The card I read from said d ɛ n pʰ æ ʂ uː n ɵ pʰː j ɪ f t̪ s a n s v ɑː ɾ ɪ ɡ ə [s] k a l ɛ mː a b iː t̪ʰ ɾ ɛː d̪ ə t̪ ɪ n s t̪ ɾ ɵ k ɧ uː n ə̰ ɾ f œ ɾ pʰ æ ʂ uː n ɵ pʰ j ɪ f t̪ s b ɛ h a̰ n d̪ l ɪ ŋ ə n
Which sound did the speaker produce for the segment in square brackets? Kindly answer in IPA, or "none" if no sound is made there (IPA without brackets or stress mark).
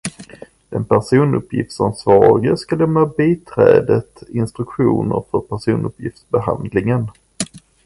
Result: s